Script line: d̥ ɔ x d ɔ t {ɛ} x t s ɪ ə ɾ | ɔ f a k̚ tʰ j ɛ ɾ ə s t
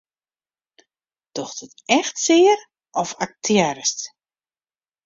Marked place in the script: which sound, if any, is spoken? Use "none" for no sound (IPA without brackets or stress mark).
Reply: ɛ